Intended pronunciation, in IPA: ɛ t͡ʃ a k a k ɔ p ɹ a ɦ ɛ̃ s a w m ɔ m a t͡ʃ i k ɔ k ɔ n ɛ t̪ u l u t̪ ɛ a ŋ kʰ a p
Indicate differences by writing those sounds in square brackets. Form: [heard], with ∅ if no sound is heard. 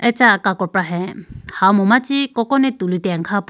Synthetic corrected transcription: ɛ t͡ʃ a k a k ɔ p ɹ a ɦ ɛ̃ [h] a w m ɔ m a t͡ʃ i k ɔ k ɔ n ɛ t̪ u l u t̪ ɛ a ŋ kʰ a p